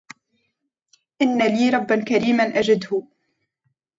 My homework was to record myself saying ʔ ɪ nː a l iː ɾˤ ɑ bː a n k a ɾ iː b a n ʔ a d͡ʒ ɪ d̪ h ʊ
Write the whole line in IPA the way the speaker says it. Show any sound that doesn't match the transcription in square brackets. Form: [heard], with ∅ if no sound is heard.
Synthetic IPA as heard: ʔ ɪ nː a l iː ɾˤ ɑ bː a n k a ɾ iː [m] a n ʔ a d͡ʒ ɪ d̪ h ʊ